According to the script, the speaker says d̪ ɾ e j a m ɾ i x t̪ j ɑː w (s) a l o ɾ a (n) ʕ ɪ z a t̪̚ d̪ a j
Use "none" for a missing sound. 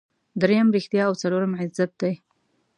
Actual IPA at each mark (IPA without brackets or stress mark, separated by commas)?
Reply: t͡s, m